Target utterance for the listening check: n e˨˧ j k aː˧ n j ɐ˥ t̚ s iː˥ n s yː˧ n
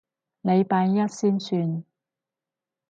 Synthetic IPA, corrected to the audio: n e˨˧ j p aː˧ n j ɐ˥ t̚ s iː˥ n s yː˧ n